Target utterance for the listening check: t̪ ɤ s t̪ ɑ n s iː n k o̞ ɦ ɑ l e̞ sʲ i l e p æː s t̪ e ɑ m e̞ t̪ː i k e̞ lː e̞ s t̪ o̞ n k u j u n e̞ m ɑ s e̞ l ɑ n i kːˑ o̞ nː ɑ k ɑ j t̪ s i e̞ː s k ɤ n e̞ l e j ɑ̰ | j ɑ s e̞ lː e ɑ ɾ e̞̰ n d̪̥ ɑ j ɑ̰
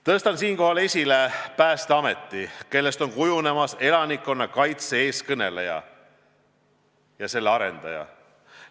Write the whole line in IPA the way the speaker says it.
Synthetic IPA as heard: t̪ ɤ s t̪ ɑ n s iː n k o̞ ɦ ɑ l e̞ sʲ i l e p æː s t̪ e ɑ m e̞ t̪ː i k e̞ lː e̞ s t̪ o̞ n k u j u n e̞ m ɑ s e̞ l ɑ n i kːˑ o̞ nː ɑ k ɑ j t̪ s e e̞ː s k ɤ n e̞ l e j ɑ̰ | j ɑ s e̞ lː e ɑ ɾ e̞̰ n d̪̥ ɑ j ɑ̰